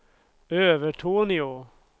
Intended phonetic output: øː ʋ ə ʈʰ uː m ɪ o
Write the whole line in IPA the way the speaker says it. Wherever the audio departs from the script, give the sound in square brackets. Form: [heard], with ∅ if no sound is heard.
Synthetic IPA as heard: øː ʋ ə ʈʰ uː [n] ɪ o